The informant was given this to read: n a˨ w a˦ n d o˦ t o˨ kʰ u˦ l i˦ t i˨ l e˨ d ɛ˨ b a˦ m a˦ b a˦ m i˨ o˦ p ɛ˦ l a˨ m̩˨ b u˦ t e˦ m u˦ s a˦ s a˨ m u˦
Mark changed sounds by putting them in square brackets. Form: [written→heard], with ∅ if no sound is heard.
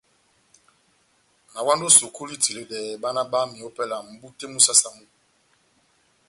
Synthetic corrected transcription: n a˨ w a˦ n d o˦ [t→s] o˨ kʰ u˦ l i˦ t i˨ l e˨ d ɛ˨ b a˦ [m→n] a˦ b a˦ m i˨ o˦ p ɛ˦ l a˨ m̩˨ b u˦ t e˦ m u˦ s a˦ s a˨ m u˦